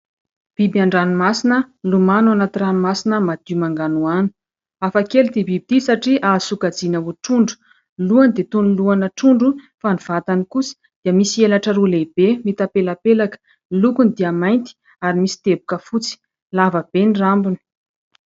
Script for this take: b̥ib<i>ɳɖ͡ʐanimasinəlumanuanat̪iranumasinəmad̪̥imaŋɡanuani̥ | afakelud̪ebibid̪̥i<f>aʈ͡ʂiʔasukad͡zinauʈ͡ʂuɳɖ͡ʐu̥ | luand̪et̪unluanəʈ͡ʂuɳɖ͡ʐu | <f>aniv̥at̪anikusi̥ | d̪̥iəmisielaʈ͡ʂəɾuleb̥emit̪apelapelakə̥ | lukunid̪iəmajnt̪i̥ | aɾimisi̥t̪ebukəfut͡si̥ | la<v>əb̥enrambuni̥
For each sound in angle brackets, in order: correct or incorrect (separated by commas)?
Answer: incorrect, incorrect, correct, correct